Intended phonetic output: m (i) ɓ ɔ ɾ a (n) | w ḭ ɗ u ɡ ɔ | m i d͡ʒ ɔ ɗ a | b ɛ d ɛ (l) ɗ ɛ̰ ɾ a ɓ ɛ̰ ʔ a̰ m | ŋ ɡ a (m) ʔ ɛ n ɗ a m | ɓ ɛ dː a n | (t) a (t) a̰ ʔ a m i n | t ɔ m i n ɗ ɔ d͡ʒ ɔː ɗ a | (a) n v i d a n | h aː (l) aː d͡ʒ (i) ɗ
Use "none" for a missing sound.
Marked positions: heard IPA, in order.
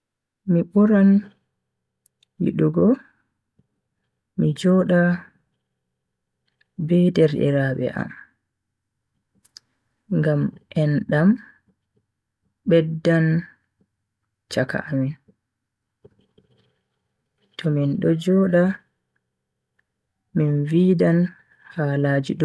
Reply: i, n, ɾ, m, t͡ʃ, k, i, l, i

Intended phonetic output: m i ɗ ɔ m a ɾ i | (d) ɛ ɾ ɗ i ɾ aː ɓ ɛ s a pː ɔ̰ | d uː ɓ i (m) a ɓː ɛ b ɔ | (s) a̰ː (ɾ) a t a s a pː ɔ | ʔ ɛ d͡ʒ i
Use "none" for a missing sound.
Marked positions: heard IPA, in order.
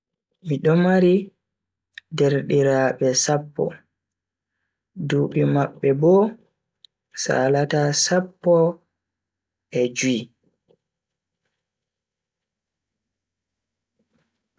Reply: d, m, s, l

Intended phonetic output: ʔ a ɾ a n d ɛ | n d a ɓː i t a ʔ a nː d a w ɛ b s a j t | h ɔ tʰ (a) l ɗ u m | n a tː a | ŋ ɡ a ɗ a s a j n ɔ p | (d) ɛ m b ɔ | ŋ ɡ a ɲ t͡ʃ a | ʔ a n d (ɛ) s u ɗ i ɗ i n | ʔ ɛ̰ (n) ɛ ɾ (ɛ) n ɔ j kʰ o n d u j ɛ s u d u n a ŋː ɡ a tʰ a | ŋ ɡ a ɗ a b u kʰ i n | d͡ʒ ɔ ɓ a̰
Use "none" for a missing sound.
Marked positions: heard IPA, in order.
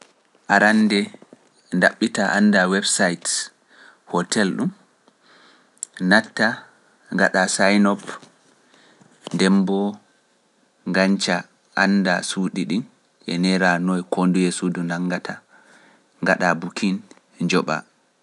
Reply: ɛ, d, a, n, a

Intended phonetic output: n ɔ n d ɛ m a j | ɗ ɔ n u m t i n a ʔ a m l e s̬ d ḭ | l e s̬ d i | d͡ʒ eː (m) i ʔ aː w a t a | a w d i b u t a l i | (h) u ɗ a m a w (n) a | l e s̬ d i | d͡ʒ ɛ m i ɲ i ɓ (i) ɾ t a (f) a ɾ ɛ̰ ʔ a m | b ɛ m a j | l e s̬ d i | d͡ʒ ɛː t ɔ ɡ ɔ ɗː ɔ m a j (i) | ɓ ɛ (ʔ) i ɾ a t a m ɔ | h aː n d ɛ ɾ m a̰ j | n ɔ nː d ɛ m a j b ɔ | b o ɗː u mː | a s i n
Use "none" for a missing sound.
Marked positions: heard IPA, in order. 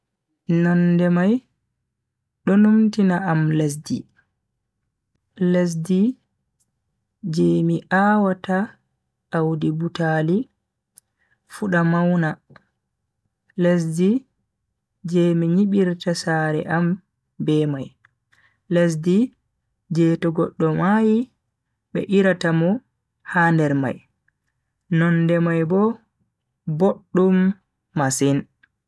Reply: m, f, n, i, s, i, ʔ

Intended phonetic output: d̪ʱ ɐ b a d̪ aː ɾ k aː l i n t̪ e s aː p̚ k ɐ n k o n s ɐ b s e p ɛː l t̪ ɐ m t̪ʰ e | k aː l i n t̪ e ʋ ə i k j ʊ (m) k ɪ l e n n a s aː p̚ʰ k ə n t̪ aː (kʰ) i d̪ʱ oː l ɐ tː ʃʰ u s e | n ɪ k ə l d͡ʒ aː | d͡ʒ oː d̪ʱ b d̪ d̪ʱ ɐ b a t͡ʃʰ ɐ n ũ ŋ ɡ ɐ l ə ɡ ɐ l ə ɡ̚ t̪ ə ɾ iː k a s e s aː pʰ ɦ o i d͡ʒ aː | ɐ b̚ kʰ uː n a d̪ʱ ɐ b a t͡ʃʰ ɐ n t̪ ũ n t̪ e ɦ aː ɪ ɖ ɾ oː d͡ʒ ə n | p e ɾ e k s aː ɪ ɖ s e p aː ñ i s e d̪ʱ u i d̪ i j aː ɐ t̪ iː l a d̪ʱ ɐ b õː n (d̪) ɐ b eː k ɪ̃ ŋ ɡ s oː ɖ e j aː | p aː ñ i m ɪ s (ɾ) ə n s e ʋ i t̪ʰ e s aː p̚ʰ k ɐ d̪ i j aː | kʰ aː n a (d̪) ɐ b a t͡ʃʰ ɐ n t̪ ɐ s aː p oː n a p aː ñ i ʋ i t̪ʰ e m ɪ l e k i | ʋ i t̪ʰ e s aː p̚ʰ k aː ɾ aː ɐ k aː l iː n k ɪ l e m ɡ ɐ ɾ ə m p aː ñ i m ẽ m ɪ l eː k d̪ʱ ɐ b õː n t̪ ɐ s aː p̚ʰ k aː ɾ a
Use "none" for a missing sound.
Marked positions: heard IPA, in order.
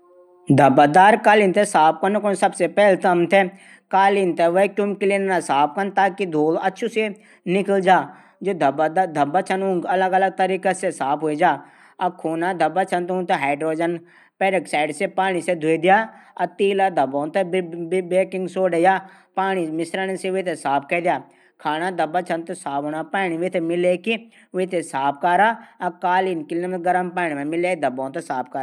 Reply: m, k, t̪, ɾ, d̪

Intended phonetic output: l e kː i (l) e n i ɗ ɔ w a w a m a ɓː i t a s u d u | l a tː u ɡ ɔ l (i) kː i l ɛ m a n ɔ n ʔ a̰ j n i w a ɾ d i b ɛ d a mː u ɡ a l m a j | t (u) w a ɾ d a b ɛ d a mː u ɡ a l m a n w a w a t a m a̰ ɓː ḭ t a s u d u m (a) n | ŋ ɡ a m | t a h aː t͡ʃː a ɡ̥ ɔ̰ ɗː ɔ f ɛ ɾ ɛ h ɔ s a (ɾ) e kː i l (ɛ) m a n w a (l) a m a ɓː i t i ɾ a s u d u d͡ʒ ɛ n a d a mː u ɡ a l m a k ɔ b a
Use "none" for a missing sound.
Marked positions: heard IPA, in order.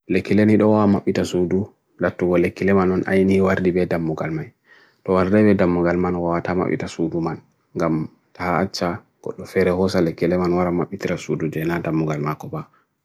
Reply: l, e, ɔ, a, l, ɛ, ɾ

